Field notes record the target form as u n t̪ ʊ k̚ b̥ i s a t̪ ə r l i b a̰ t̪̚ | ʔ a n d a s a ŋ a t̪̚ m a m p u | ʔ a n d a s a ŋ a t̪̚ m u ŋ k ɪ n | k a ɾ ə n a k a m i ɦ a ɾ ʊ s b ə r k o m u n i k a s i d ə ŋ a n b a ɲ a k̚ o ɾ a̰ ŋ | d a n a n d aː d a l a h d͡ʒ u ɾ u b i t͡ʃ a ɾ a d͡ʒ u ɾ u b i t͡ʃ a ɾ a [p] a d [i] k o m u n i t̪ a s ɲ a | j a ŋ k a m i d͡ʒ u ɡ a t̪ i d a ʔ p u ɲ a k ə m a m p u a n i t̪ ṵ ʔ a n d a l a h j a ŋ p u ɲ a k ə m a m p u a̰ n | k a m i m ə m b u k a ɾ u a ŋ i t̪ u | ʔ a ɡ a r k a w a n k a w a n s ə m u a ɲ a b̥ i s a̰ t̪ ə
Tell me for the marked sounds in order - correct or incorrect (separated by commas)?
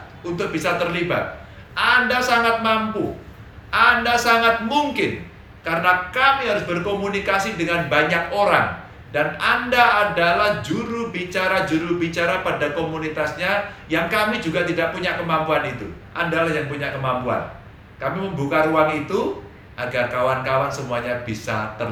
correct, incorrect